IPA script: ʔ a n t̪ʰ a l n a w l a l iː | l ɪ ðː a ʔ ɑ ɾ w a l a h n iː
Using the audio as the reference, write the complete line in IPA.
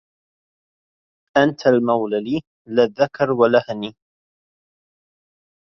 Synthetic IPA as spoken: ʔ a n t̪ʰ a l m a w l a l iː | l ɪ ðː a k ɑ ɾ w a l a h n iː